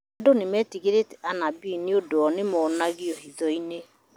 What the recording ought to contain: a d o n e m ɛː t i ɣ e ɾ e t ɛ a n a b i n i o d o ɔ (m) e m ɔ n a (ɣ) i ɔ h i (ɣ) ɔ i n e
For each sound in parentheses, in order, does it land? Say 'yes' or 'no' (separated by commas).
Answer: no, yes, no